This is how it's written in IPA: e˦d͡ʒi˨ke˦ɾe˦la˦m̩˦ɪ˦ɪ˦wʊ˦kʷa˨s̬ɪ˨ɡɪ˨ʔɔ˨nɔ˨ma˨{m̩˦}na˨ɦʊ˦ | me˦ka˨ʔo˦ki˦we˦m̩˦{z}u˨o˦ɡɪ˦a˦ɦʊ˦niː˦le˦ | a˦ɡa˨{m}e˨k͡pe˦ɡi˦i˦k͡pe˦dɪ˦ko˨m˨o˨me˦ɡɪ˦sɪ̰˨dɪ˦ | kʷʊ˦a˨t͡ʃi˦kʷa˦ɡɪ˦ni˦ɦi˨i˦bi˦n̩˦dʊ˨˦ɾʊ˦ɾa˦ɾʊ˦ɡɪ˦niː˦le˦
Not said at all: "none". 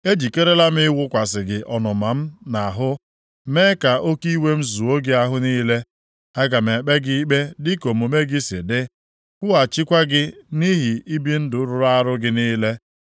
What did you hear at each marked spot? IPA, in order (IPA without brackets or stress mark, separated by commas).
m̩˦, z, m